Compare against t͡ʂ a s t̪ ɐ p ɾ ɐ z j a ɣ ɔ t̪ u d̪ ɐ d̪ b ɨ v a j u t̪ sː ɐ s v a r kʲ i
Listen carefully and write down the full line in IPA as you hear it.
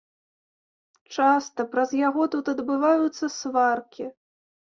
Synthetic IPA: t͡ʂ a s t̪ ɐ p ɾ ɐ z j a ɣ ɔ t̪ u t̪ ɐ d̪ b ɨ v a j u t̪ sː ɐ s v a r kʲ i